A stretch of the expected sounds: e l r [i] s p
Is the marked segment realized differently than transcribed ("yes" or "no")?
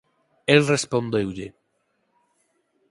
yes